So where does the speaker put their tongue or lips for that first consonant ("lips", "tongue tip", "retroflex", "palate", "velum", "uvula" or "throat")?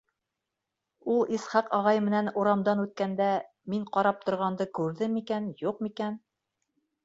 tongue tip